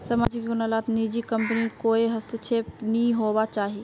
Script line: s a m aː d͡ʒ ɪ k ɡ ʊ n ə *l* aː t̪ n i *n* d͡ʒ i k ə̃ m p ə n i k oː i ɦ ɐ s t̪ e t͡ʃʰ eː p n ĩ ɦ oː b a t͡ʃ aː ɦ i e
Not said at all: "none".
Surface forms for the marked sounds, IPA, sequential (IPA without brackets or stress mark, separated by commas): l, none